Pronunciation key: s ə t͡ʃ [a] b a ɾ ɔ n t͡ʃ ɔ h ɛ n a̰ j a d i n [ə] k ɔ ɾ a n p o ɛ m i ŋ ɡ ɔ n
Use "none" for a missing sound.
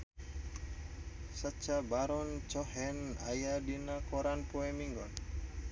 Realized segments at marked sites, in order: a, a

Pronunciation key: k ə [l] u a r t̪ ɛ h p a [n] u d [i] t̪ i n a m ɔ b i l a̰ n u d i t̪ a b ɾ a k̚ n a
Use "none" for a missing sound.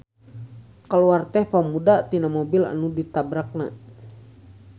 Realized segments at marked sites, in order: l, m, a

